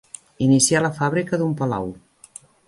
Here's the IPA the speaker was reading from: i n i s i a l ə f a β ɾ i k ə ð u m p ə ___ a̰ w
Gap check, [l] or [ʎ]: l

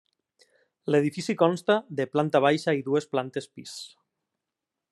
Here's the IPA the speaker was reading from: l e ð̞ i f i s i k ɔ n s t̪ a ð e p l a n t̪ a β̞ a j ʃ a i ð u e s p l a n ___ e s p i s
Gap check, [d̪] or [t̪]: t̪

